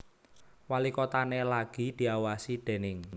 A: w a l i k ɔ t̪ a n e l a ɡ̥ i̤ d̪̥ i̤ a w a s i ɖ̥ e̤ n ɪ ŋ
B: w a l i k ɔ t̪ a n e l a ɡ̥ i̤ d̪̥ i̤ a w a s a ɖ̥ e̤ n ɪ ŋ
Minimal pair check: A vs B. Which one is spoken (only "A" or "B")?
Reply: A